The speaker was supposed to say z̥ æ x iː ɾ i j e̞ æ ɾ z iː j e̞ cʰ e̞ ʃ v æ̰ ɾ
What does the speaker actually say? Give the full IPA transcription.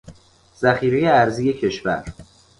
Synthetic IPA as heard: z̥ æ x iː ɾ e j e̞ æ ɾ z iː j e̞ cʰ e̞ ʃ v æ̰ ɾ